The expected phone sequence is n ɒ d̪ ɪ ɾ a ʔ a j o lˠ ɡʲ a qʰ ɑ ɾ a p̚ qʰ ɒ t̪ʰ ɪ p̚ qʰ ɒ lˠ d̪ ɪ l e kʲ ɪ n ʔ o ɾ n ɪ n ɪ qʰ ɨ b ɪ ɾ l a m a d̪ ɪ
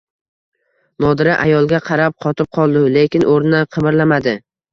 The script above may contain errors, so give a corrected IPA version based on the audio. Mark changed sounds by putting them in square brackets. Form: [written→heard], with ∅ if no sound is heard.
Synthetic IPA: n ɒ d̪ ɪ ɾ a ʔ a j [o→ɒ] lˠ ɡʲ a qʰ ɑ ɾ a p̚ qʰ ɒ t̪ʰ ɪ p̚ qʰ ɒ lˠ d̪ ɪ l e kʲ ɪ n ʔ o ɾ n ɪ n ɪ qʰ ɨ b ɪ ɾ l a m a d̪ ɪ